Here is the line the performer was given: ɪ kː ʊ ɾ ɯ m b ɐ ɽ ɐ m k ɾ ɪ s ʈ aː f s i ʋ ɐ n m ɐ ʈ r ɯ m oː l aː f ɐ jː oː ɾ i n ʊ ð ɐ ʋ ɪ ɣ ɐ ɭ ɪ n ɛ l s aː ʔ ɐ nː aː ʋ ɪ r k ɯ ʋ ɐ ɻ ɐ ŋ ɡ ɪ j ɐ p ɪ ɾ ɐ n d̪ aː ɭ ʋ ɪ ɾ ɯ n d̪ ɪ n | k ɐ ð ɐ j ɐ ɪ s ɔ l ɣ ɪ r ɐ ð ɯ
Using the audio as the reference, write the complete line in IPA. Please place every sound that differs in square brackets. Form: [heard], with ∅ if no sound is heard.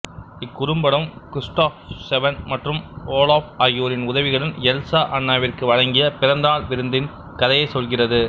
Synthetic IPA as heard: ɪ kː ʊ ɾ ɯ m b ɐ ɽ ɐ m k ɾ ɪ s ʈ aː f s [ɛ] ʋ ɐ n m ɐ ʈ r ɯ m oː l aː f ɐ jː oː ɾ [ɪ] n ʊ ð ɐ ʋ ɪ ɣ ɐ ɭ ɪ n ɛ l s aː ʔ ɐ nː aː ʋ ɪ r k ɯ ʋ ɐ ɻ ɐ ŋ ɡ ɪ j ɐ p ɪ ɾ ɐ n d̪ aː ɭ ʋ ɪ ɾ ɯ n d̪ ɪ n | k ɐ ð ɐ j ɐ ɪ s ɔ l ɣ ɪ r ɐ ð ɯ